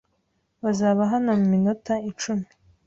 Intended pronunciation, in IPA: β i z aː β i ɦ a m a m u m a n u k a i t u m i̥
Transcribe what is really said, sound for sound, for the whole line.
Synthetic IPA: β a z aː β a ɦ a n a m u m i n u t a i t͡ʃ u m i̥